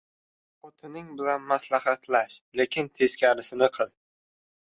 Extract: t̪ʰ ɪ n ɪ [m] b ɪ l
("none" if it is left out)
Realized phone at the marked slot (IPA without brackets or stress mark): ŋ